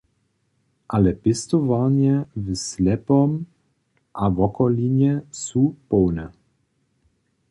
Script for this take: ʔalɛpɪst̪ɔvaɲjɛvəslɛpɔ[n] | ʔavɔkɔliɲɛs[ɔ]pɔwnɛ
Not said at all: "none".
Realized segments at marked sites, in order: m, u

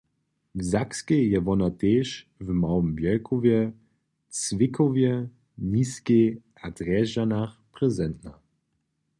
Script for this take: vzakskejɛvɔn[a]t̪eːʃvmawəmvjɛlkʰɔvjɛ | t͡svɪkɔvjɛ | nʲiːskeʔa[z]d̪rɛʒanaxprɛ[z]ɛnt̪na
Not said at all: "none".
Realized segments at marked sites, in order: a, none, z

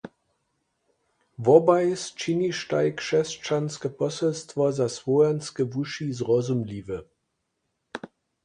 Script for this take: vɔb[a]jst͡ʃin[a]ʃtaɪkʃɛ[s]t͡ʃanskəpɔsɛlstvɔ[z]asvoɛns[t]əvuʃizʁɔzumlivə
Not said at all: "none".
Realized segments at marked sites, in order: a, i, s, z, k

